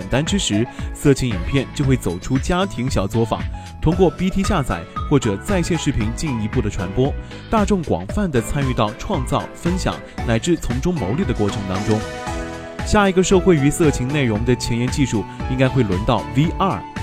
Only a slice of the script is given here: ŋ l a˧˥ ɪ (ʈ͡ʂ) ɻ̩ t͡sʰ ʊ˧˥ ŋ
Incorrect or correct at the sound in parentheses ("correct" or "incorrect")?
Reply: correct